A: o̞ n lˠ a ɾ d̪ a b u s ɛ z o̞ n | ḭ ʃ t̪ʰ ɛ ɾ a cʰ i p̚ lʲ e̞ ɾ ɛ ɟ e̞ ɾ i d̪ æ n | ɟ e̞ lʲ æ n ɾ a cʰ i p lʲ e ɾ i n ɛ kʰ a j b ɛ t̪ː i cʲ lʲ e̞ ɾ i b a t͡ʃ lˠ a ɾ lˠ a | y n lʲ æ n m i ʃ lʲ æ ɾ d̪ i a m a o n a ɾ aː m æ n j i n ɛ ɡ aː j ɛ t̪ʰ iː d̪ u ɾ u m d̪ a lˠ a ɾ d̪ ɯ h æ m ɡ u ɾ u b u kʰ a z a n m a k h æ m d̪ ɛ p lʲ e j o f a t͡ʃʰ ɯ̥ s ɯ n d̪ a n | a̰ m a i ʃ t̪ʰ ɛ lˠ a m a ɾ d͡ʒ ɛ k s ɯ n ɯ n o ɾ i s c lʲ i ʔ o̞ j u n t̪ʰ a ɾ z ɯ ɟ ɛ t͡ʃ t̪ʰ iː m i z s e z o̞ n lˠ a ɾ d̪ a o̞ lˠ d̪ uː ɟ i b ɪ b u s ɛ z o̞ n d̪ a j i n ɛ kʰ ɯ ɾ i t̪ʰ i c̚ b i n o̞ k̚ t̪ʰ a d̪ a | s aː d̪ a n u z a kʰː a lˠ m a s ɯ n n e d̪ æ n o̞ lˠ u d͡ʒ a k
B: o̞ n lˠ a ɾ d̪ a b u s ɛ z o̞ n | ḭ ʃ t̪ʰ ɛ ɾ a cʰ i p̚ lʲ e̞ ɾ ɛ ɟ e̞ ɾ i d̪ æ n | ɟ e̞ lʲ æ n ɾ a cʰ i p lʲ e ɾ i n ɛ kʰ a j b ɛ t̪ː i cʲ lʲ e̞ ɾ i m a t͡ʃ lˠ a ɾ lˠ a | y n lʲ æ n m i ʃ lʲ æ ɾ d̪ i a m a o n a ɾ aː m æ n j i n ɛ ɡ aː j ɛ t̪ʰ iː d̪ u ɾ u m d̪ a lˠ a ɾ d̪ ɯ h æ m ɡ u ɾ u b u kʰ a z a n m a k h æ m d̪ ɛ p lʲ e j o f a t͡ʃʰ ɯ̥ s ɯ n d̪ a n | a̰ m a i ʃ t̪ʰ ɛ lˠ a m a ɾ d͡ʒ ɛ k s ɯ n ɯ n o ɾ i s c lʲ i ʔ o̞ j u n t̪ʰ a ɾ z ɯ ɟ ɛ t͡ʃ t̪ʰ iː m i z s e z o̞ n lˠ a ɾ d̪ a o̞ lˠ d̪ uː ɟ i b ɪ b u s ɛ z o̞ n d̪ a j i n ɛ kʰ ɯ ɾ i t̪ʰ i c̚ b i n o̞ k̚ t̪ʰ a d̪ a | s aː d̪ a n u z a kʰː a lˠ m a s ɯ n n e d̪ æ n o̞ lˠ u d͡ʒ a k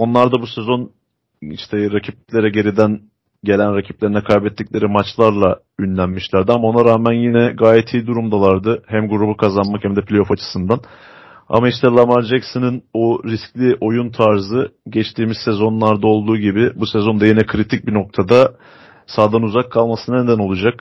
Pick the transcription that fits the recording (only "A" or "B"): B